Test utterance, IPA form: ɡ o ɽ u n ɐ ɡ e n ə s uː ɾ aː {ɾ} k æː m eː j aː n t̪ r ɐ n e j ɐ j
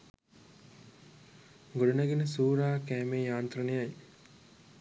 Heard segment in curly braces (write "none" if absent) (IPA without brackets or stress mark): none